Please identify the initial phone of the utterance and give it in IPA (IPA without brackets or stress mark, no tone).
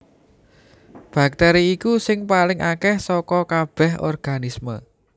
b̥